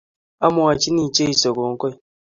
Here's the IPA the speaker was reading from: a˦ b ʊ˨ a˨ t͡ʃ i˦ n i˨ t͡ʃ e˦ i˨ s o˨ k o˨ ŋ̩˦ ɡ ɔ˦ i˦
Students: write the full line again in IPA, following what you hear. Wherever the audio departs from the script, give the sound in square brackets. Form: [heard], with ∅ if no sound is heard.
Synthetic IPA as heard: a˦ [m] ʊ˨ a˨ t͡ʃ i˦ n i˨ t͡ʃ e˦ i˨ s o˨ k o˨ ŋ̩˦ [k] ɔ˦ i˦

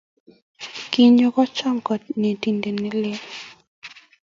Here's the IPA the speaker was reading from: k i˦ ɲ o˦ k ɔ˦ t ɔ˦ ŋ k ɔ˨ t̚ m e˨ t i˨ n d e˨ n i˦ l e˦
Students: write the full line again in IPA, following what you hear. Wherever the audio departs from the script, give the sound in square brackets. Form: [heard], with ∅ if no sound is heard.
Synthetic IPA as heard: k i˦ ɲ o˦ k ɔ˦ [t͡ʃ] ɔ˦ ŋ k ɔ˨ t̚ [n] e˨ t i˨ n d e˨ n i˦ l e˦

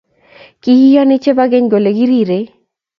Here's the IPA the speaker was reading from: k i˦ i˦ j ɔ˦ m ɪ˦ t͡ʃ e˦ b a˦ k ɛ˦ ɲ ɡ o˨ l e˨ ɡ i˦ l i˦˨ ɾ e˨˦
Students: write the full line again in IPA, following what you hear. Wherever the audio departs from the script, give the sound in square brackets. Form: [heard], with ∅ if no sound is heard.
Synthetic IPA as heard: k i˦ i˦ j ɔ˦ [n] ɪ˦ t͡ʃ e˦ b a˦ [ɡ] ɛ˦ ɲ ɡ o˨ l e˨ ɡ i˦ [ɾ] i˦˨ ɾ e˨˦

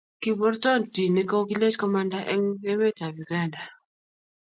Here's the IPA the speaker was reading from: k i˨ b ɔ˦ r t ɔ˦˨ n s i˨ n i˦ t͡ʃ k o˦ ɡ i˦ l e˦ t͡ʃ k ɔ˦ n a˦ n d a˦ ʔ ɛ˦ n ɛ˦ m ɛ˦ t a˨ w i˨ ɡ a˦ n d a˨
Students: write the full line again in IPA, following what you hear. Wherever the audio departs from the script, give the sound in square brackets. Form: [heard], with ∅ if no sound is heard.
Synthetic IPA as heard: k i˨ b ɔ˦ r t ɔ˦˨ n [t] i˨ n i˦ [∅] k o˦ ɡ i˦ l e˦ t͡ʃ k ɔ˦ [m] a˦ n d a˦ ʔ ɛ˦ [ŋ] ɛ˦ m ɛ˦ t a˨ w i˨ ɡ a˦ n d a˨

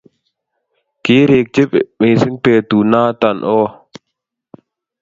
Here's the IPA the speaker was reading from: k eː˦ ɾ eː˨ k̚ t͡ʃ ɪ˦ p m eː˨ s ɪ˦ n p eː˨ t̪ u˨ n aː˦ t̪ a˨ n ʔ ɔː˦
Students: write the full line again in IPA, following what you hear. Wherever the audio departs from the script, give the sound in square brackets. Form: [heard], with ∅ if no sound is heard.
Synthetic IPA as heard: k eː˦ ɾ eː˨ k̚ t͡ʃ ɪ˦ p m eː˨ s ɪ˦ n p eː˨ t̪ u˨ n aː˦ t̪ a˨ n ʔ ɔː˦

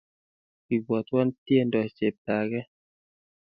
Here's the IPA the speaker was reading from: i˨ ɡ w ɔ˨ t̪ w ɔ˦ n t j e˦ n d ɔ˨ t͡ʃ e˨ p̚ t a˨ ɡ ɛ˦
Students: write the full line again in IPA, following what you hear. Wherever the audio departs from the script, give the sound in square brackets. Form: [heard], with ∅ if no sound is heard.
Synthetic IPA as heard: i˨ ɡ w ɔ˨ t̪ w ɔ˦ n t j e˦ n d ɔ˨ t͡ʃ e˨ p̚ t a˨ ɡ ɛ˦

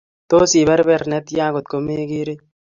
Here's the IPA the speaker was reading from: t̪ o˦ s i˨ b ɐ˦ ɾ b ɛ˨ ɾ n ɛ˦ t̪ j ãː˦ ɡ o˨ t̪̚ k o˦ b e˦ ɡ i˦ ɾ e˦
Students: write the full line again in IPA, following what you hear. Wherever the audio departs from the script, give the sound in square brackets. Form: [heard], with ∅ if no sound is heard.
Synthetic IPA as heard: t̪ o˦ s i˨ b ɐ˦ ɾ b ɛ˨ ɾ n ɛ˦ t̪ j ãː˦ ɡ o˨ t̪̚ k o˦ [m] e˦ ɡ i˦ ɾ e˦

